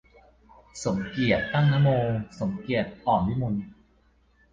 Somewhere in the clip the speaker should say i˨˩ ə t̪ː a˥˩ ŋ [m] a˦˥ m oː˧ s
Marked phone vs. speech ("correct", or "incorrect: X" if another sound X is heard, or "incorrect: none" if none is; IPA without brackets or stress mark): incorrect: n